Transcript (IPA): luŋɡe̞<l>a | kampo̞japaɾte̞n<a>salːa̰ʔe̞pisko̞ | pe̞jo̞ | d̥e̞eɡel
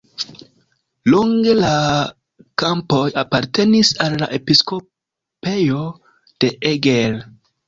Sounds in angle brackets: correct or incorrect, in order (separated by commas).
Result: correct, incorrect